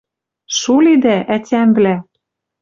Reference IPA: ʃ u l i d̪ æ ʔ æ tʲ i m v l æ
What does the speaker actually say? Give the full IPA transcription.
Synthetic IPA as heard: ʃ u l i d̪ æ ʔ æ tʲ æ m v l æ